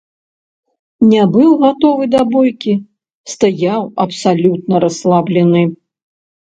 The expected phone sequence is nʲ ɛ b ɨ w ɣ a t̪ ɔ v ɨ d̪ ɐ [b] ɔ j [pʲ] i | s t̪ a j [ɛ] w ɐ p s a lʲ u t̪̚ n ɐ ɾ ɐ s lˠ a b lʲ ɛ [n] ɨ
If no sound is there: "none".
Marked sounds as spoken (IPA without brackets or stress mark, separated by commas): b, kʲ, a, n